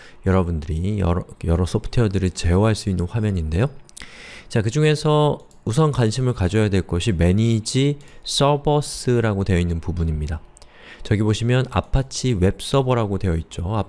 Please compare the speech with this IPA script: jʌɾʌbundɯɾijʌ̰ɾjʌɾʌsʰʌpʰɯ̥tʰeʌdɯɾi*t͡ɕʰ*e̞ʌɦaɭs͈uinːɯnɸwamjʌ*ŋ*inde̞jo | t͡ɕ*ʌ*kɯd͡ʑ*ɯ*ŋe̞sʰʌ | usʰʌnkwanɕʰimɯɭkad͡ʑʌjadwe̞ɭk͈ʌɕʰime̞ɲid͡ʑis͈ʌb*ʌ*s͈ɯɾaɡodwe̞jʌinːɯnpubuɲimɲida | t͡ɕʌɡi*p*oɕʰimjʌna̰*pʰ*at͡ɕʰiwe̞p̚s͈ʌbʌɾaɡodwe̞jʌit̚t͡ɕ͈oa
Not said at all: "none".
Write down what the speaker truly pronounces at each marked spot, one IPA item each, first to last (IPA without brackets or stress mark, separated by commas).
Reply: t͡ɕ, ɲ, a, u, ʌ, b, pʰ